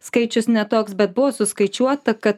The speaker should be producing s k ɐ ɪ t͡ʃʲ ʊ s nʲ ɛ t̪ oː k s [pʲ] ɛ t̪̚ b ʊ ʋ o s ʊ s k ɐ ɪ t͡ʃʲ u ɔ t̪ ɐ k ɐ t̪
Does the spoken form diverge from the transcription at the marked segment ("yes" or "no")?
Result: yes